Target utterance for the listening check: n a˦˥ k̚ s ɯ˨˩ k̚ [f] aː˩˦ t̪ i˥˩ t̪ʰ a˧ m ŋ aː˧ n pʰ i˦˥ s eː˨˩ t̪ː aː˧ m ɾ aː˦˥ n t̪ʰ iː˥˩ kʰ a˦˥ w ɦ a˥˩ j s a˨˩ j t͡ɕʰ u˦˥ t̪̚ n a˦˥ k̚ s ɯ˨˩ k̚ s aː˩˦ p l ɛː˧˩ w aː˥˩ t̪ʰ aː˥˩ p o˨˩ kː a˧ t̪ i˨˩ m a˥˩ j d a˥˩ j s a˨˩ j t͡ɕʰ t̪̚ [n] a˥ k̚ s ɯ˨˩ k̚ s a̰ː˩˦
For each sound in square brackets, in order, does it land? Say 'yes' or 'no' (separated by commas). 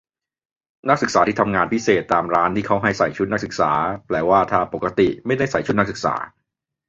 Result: no, yes